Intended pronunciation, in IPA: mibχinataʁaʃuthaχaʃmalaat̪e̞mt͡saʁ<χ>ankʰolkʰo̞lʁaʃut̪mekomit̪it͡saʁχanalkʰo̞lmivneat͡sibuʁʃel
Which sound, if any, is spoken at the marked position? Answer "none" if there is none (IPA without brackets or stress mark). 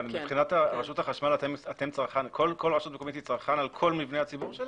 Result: χ